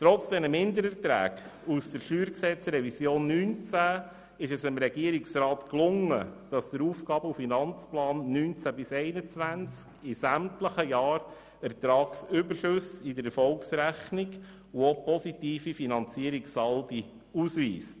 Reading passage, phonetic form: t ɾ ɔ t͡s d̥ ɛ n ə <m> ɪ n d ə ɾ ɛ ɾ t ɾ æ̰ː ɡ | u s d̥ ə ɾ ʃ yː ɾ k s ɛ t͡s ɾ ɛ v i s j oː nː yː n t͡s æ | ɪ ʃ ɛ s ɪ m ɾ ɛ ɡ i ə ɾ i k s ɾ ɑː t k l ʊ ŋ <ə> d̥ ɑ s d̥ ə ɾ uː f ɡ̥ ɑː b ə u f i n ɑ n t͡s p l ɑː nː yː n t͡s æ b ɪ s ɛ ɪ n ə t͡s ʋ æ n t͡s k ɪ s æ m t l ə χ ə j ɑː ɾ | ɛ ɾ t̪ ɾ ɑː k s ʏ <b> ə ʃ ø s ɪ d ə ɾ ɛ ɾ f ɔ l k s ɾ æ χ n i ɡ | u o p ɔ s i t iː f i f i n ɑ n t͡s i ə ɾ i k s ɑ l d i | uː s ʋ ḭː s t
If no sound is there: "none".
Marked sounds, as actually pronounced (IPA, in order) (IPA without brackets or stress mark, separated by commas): m, ə, b